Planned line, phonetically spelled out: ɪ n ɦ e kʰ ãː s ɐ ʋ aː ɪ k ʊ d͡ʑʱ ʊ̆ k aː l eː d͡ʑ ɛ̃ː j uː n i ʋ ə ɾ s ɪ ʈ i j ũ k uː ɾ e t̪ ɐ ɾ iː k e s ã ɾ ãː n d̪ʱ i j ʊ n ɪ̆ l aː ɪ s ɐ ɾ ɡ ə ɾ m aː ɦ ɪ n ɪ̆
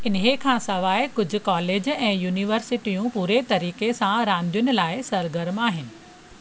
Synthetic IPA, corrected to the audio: ɪ n ɦ e kʰ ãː s ɐ ʋ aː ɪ k ʊ d͡ʑʱ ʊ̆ k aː l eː d͡ʑ ɛ̃ː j uː n i ʋ ə ɾ s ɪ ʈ i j ũ p uː ɾ e t̪ ɐ ɾ iː k e s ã ɾ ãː n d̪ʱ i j ʊ n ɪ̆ l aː ɪ s ɐ ɾ ɡ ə ɾ m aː ɦ ɪ n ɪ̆